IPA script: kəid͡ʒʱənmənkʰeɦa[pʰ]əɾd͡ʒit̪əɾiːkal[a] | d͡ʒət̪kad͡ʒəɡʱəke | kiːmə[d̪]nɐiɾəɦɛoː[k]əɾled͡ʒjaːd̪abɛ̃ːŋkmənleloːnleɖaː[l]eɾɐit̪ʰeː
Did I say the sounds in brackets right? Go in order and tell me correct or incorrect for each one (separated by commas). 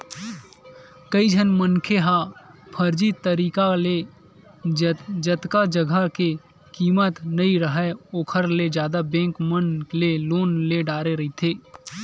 correct, incorrect, incorrect, incorrect, incorrect